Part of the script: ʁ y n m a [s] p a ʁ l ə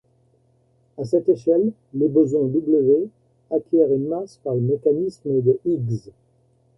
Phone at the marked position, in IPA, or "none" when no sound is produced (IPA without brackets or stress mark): s